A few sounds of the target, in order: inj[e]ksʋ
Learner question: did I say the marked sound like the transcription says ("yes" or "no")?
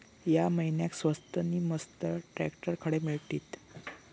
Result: no